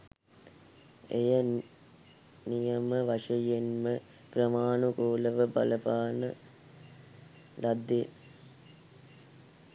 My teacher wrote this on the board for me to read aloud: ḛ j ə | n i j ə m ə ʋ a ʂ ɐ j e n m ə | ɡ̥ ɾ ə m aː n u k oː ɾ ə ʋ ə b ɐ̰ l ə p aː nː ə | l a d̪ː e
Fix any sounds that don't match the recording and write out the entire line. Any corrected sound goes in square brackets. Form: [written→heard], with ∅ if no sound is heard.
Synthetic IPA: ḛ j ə | n i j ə m ə ʋ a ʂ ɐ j e n m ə | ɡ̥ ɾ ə m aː n u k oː [ɾ→l] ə ʋ ə b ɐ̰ l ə p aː [nː→n] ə | l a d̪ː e